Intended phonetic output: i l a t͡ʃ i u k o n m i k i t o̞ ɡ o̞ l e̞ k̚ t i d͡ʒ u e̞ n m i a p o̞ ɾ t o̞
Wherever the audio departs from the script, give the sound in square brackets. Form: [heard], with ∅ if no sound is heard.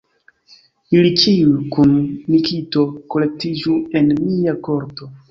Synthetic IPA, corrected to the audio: i l [i] t͡ʃ i u k [u] n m i k i t o̞ [k] o̞ l e̞ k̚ t i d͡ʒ u e̞ n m i a [k] o̞ ɾ t o̞

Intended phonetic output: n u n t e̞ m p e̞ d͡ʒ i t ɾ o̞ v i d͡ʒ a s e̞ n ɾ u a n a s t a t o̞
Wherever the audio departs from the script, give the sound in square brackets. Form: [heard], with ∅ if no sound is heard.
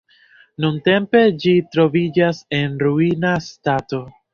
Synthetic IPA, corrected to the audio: n u n t e̞ m p e̞ d͡ʒ i t ɾ o̞ v i d͡ʒ a s e̞ n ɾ u [i] n a s t a t o̞

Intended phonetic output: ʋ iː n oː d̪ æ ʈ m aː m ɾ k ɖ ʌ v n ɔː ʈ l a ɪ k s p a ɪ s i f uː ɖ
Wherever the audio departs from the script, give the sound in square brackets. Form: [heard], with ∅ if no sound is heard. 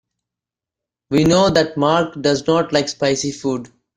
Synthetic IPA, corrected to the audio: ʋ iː n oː d̪ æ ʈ m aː [∅] ɾ k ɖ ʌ [z] n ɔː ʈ l a ɪ k s p a ɪ s i f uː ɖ

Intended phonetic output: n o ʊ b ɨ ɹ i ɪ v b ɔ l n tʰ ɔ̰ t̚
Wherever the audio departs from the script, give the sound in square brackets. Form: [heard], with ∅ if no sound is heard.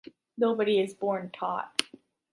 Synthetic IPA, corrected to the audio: n o ʊ b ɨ [ɾ] i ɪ [z] b ɔ [ɹ] n tʰ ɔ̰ t̚

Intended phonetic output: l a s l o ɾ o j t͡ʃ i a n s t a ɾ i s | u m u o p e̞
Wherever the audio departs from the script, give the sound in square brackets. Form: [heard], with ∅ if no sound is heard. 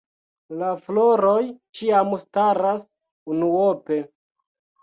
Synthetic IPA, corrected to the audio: l a [f] l o ɾ o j t͡ʃ i a [m] s t a ɾ [a] s | u [n] u o p e̞

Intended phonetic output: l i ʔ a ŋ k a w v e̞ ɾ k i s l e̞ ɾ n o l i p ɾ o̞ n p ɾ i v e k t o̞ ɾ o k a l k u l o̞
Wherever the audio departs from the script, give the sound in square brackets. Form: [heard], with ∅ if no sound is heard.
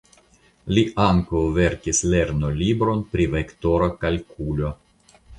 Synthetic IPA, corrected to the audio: l i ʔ a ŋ k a w v e̞ ɾ k i s l e̞ ɾ n o l i [b] ɾ o̞ n p ɾ i v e k t o̞ ɾ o k a l k u l o̞

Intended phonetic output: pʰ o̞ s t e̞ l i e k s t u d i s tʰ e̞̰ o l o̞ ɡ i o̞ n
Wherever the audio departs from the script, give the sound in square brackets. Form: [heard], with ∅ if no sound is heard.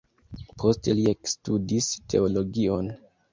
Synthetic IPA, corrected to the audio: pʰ o̞ s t e̞ l i e k s t u d i s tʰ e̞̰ o l o̞ ɡ i o̞ n

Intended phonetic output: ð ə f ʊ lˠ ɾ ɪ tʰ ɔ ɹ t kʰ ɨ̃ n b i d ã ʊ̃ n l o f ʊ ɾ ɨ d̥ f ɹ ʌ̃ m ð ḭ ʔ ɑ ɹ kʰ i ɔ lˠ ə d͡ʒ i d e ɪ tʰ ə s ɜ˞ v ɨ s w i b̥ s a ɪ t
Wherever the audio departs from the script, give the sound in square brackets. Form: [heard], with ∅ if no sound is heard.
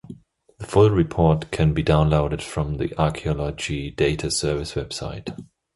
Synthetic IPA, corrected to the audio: ð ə f ʊ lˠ [ɹ] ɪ [pʰ] ɔ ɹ t kʰ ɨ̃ n b i d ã ʊ̃ n l o [∅] ʊ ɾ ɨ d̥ f ɹ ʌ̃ m ð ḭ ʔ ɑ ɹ kʰ i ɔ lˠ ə d͡ʒ i d e ɪ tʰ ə s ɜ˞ v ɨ s w [ɛ] b̥ s a ɪ t

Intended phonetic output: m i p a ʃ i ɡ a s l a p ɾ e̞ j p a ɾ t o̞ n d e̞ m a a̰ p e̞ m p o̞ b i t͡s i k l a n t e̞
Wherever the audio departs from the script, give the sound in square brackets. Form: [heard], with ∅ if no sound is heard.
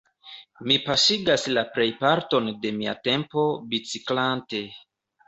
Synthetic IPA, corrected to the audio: m i p a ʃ i ɡ a s l a p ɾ e̞ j p a ɾ t o̞ n d e̞ m [i] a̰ [t] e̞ m p o̞ b i t͡s i k l a n t e̞

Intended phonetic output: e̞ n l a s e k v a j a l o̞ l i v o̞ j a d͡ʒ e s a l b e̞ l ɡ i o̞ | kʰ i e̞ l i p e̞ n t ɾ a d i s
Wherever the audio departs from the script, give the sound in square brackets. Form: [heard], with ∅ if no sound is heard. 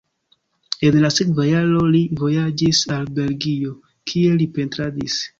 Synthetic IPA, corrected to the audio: e̞ n l a s e k v a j a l o̞ l i v o̞ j a d͡ʒ [i] s a l b e̞ l ɡ i o̞ | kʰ i e̞ l i p e̞ n t ɾ a d i s

